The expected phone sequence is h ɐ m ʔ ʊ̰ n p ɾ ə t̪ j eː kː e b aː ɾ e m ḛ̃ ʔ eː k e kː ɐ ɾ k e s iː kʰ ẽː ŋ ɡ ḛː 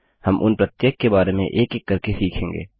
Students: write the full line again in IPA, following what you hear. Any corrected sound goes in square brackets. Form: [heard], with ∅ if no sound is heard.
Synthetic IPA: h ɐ m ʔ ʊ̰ n p ɾ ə t̪ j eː kː e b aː ɾ e m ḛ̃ ʔ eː k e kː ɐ ɾ k e s iː kʰ ẽː ŋ ɡ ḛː